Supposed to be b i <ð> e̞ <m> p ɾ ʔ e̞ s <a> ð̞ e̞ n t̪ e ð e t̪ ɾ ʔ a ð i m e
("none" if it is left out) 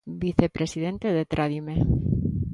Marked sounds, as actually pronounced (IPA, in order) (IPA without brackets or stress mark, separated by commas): θ, none, i